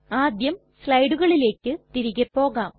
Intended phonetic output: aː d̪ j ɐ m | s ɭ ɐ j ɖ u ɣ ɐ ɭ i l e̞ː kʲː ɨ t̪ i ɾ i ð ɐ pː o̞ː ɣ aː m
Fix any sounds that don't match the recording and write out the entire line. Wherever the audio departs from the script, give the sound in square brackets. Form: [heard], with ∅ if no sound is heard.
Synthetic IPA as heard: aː d̪ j ɐ m | s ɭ ɐ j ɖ u ɣ ɐ ɭ i l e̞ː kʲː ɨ t̪ i ɾ i [ɣ] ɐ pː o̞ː ɣ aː m